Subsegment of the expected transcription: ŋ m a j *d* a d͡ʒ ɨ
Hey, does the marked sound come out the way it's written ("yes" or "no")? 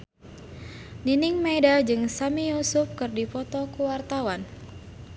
yes